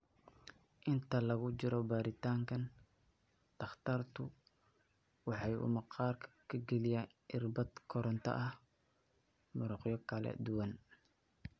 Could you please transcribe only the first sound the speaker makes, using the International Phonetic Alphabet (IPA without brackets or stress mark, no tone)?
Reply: ʔ